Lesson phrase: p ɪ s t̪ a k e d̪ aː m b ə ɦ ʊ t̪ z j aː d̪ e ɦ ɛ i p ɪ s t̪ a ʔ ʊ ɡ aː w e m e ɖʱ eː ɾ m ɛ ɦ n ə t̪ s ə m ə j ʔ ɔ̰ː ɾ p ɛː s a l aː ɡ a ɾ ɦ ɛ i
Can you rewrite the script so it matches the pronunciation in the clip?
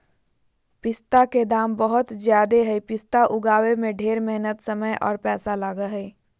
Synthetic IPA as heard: p ɪ s t̪ a k e d̪ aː m b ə ɦ ʊ t̪ z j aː d̪ e ɦ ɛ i p ɪ s t̪ a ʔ ʊ ɡ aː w e m ẽ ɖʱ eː ɾ m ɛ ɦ n ə t̪ s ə m ə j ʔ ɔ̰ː ɾ p ɛː s a l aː ɡ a ɦ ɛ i